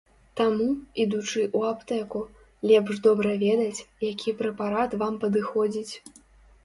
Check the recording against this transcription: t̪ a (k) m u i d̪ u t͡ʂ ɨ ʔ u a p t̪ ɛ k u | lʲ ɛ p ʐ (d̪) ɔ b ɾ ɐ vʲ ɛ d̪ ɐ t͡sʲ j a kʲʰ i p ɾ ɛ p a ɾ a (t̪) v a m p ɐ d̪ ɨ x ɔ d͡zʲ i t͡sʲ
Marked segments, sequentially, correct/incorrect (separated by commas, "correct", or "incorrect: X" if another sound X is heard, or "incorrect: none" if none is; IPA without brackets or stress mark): incorrect: none, correct, correct